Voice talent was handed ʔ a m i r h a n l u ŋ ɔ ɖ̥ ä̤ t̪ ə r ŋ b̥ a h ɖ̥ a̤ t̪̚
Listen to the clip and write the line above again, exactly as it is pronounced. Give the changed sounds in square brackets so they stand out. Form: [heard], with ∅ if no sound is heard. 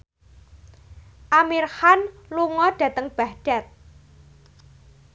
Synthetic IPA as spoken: ʔ a m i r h a n l u ŋ ɔ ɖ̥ ä̤ t̪ ə [∅] ŋ b̥ a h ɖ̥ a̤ t̪̚

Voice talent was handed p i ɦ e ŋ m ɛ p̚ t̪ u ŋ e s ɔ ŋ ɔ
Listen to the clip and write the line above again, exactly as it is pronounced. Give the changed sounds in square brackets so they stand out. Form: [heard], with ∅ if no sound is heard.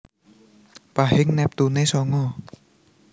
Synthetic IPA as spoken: p [a] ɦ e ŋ [n] ɛ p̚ t̪ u [n] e s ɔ ŋ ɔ

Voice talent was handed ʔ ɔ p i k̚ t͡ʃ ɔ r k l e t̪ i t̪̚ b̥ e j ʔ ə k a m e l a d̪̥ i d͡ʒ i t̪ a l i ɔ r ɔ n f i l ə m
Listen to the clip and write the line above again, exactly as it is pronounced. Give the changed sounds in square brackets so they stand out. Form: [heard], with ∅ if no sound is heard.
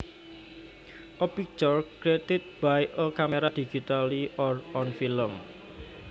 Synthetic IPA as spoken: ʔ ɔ p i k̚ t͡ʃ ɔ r k [ɾ] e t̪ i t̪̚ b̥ [a] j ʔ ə k a m e [ɾ] a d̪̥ i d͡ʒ i t̪ a l i ɔ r ɔ n f i l ə m

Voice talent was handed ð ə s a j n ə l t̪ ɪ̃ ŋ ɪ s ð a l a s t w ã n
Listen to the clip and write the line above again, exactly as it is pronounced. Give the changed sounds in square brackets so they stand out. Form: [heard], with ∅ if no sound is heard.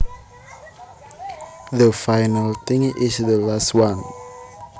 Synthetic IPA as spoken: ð ə [f] a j n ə l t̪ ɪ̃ ŋ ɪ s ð [ə] l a s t w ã n

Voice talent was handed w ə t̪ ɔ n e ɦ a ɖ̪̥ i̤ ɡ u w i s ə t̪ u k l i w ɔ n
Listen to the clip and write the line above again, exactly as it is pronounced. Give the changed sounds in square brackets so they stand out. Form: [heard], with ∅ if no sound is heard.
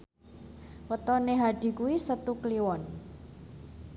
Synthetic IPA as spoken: w ə t̪ ɔ n e ɦ a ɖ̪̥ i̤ [k] u w i s ə t̪ u k l i w ɔ n

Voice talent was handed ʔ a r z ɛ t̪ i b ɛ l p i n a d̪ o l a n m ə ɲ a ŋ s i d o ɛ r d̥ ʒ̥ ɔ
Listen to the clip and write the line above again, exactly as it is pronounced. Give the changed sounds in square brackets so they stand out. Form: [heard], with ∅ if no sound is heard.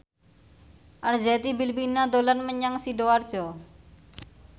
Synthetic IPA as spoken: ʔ a r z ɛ t̪ i b [i] l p i n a d̪ o l a n m ə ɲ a ŋ s i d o [a] r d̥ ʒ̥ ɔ

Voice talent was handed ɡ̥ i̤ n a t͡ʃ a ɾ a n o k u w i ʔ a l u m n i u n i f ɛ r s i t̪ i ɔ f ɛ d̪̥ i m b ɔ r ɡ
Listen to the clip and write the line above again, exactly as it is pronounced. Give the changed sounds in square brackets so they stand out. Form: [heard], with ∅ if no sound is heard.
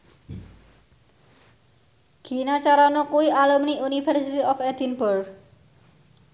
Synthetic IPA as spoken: ɡ̥ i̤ n a t͡ʃ a ɾ a n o k u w i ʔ a l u m n i u n i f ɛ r s i t̪ i ɔ f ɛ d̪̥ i [n] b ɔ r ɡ

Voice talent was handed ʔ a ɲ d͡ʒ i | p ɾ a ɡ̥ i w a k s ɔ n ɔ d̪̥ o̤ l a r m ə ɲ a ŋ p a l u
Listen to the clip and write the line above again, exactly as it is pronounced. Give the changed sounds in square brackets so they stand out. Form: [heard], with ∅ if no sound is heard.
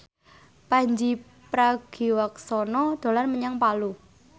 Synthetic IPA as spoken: [p] a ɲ d͡ʒ i | p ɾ a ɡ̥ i w a k s ɔ n ɔ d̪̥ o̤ l a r m ə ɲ a ŋ p a l u

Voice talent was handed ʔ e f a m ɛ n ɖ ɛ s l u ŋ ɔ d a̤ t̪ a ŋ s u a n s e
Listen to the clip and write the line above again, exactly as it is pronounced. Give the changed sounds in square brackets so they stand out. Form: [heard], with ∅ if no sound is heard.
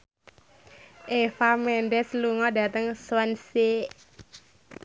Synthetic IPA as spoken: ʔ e f a m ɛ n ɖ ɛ s l u ŋ ɔ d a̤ t̪ [ə] ŋ s [w] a n s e

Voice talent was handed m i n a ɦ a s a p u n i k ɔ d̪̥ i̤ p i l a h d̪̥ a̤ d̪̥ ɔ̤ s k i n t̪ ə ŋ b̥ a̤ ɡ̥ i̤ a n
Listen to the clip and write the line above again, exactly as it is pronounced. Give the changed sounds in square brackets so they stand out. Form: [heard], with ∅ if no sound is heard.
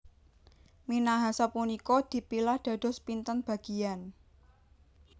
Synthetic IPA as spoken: m i n a ɦ a s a p u n i k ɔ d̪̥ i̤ p i l a h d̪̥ a̤ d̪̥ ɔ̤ s [p] i n t̪ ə [n] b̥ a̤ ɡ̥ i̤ a n

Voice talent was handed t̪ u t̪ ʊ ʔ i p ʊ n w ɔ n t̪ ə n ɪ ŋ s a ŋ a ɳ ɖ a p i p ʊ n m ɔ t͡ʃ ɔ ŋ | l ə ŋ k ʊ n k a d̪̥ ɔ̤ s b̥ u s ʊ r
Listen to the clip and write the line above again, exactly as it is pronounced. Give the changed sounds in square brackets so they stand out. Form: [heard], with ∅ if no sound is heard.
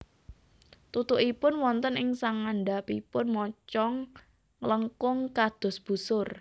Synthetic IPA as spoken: t̪ u t̪ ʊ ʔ i p ʊ n w ɔ n t̪ ə n ɪ ŋ s a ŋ a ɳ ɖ a p i p ʊ n m ɔ t͡ʃ ɔ ŋ | l ə ŋ k ʊ [ŋ] k a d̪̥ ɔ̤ s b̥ u s ʊ r

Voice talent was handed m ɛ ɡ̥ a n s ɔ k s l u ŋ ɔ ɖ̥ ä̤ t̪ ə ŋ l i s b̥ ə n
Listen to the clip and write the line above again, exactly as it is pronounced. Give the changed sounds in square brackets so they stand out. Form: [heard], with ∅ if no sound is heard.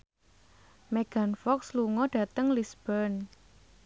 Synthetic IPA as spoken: m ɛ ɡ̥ a n [f] ɔ k s l u ŋ ɔ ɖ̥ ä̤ t̪ ə ŋ l i s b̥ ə n

